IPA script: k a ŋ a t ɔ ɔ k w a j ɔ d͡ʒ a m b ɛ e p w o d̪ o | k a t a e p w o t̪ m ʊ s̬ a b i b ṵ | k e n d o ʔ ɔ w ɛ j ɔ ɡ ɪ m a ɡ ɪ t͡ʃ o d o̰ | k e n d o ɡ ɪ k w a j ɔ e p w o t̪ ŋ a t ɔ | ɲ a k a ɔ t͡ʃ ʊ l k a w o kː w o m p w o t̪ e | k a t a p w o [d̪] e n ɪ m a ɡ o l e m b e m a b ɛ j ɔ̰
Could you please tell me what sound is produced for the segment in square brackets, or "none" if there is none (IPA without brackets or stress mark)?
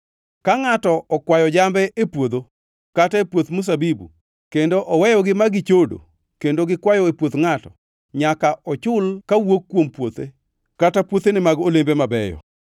t̪